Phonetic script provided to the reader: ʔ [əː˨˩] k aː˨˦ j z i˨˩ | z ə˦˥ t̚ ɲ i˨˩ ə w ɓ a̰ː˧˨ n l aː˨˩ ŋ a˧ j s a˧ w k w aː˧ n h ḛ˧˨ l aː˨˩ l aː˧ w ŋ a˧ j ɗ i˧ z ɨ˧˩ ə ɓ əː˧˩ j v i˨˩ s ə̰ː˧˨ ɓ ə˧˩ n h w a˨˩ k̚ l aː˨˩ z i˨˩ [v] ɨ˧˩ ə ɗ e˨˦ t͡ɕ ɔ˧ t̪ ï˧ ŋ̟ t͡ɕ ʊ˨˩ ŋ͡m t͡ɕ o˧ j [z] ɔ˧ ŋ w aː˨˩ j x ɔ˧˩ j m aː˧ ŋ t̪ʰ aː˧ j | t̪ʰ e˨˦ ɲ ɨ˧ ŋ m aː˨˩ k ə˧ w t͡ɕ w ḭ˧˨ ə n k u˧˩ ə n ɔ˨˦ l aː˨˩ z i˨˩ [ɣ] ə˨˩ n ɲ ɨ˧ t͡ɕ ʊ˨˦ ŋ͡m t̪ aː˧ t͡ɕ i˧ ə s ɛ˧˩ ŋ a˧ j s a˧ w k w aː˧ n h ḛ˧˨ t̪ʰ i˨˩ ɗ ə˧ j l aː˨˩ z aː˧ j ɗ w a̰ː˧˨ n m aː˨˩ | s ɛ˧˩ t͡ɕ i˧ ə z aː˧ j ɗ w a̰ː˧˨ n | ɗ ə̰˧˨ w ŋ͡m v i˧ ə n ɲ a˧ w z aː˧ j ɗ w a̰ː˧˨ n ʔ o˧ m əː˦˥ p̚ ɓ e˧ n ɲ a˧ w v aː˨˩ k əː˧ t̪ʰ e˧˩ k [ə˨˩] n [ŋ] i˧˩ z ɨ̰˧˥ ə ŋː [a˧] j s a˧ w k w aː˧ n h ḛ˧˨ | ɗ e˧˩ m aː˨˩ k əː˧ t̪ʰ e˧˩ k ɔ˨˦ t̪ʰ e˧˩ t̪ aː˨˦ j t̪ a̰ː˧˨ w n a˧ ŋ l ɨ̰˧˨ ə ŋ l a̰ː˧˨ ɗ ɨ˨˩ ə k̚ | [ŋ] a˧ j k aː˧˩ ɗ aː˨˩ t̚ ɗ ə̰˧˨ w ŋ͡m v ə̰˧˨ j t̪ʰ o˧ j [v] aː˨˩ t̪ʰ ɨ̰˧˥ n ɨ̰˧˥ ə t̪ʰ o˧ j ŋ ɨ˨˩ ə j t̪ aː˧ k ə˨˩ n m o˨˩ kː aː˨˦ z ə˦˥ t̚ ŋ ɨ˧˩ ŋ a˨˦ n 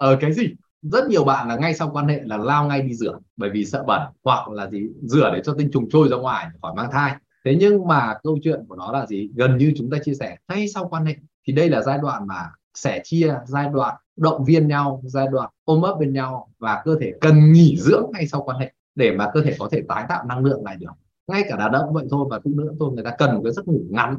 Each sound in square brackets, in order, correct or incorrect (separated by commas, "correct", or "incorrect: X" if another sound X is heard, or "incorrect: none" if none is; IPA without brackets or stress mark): correct, incorrect: z, correct, correct, correct, correct, correct, correct, correct